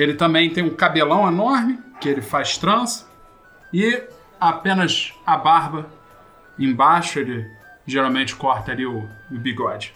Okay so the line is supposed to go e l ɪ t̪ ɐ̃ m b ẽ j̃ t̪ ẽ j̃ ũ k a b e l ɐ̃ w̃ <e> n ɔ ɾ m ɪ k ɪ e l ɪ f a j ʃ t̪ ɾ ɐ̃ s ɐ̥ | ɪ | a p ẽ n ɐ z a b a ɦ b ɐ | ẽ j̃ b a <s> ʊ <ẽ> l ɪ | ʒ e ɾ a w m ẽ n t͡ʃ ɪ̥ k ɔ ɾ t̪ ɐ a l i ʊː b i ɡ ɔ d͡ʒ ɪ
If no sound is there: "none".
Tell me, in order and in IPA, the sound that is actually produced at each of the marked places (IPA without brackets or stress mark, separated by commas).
e, ʃ, e